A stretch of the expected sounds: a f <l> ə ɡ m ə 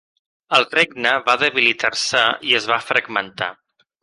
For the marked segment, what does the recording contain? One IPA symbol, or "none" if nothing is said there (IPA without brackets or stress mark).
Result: ɾ